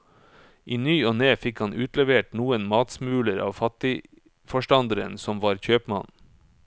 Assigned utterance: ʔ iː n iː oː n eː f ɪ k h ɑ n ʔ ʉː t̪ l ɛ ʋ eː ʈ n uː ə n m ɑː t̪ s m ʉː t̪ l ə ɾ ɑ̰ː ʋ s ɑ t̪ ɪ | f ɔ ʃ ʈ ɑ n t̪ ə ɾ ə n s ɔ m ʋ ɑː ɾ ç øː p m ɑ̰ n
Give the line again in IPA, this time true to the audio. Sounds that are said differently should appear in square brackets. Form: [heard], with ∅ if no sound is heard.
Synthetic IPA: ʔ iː n [yː] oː n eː f ɪ k h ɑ n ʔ ʉː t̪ l ɛ ʋ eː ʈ n uː ə n m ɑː t̪ s m ʉː [∅] l ə ɾ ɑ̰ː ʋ [f] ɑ t̪ ɪ | f ɔ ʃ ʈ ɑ n [d̪] ə ɾ ə n s ɔ m ʋ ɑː ɾ ç øː p m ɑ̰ n